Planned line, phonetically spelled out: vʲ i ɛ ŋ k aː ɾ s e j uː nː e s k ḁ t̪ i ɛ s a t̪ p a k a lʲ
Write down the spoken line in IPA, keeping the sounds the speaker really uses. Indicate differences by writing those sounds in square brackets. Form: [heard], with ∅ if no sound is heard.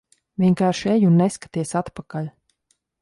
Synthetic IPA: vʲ i ɛ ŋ k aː ɾ [ʃ] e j [u] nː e s k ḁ t̪ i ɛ s a t̪ p a k a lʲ